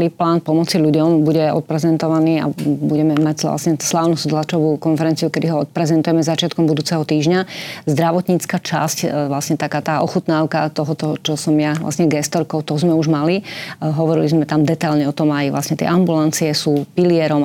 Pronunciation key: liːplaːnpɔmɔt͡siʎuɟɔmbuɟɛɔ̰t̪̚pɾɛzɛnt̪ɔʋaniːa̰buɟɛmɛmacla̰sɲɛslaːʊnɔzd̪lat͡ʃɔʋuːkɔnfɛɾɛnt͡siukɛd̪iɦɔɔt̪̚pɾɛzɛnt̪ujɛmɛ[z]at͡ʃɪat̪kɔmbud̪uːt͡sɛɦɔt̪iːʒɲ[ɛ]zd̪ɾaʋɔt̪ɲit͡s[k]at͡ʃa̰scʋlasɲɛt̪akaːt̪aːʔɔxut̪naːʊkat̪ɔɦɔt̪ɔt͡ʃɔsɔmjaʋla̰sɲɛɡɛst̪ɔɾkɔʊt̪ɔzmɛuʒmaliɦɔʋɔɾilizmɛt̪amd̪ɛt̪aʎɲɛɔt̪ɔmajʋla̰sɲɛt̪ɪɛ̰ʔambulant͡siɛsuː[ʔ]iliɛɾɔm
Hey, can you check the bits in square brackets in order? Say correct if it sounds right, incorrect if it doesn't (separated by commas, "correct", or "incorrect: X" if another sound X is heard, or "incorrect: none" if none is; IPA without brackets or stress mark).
correct, incorrect: a, correct, incorrect: p